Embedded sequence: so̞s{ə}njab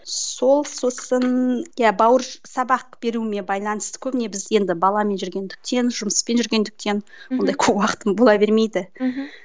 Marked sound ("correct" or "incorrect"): correct